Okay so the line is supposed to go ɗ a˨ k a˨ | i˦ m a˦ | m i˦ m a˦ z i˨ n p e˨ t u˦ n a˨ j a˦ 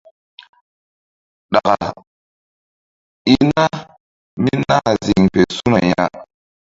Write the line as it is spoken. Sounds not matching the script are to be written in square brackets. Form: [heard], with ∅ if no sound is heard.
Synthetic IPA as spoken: ɗ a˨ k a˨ | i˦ [n] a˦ | m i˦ [n] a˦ z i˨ [ŋ] p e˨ [s] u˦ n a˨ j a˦